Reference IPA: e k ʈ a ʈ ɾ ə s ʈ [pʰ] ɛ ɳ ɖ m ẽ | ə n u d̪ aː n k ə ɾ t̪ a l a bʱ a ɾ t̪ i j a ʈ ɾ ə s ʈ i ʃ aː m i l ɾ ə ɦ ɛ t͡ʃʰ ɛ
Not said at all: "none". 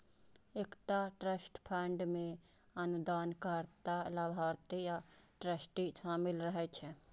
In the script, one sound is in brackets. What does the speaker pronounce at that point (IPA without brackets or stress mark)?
pʰ